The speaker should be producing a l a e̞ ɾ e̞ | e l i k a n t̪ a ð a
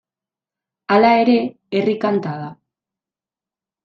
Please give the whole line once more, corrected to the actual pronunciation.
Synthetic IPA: a l a e̞ ɾ e̞ | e r i k a n t̪ a ð a